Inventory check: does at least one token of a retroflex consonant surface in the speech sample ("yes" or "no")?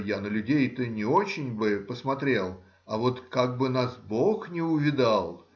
no